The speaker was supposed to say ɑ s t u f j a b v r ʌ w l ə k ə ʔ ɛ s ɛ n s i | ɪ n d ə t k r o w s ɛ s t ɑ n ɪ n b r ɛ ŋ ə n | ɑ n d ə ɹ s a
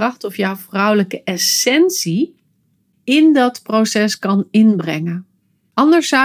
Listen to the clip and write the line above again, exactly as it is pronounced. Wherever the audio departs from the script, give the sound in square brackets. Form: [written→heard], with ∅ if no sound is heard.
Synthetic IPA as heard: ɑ [s→χ] t [u→ɔ] f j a [b→w] v r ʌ w l ə k ə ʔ ɛ s ɛ n s i | ɪ n d [ə→ɑ] t [k→p] r o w s ɛ s [t→k] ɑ n ɪ n b r ɛ ŋ ə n | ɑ n d ə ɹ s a